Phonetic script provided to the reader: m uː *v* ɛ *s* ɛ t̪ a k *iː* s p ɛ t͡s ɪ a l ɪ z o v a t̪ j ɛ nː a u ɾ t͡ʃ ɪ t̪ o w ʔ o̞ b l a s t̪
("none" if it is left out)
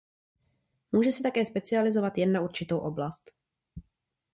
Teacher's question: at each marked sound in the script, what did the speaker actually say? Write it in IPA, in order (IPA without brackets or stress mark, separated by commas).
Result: ʒ, s, ɛː